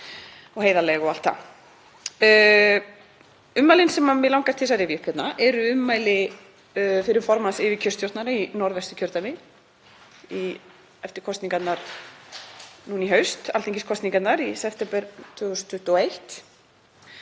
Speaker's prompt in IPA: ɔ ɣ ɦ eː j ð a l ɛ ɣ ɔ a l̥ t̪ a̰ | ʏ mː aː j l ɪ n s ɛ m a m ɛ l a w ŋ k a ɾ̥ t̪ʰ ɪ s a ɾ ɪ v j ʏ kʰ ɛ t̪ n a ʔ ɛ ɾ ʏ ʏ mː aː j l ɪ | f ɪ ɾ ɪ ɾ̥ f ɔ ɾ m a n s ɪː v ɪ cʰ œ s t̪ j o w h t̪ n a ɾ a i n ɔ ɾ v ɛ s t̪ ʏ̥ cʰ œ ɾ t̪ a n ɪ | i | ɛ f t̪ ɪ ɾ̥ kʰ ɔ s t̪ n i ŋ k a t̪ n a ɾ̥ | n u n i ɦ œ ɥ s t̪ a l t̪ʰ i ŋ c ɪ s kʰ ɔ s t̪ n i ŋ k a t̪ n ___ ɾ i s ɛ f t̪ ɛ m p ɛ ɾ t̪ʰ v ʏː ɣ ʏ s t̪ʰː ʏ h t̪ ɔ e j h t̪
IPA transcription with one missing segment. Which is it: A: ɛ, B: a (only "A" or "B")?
B